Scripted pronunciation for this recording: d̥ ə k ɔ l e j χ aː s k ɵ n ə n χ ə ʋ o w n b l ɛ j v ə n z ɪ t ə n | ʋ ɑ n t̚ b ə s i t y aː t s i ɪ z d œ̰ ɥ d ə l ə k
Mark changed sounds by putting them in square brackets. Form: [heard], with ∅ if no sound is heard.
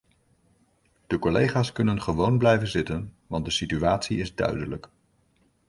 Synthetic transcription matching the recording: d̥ ə k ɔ l e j χ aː s k ɵ n ə n χ ə ʋ o w n b l ɛ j v ə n z ɪ t ə n | ʋ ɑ n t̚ [d] ə s i t y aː t s i ɪ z d œ̰ ɥ d ə l ə k